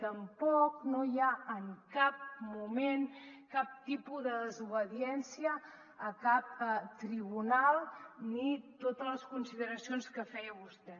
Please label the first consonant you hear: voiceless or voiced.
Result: voiceless